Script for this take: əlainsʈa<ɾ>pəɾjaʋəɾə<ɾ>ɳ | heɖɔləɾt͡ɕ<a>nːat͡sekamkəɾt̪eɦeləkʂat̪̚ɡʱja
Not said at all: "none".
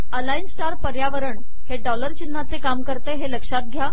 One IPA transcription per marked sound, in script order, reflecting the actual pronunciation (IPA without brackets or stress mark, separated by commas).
ɾ, none, i